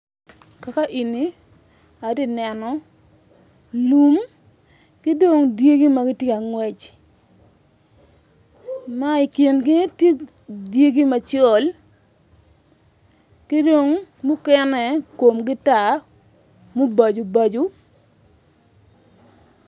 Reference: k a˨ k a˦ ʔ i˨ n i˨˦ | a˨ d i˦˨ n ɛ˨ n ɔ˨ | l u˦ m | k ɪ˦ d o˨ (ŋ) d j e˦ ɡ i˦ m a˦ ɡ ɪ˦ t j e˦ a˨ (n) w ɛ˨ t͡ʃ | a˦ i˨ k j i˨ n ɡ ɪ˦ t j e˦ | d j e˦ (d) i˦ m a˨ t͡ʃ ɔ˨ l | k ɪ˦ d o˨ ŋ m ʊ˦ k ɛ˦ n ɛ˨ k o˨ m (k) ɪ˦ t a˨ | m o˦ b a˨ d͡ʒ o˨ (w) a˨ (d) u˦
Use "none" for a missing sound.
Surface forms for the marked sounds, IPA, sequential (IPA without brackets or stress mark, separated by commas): ŋ, ŋ, ɡ, ɡ, b, d͡ʒ